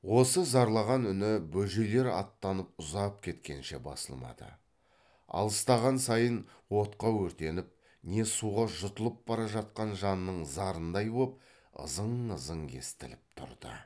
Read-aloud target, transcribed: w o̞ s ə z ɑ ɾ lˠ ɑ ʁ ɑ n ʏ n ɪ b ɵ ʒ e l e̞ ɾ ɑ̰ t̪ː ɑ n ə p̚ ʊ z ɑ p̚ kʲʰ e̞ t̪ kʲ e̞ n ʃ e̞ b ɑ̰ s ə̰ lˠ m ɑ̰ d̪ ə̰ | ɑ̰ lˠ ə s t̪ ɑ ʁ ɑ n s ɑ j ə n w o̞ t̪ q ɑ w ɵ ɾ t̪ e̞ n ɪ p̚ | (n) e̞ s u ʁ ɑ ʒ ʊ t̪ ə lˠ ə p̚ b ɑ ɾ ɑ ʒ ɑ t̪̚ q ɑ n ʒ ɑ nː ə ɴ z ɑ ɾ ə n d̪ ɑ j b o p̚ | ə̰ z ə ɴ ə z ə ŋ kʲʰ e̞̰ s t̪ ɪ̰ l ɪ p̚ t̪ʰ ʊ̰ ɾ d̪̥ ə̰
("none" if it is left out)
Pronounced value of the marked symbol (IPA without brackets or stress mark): n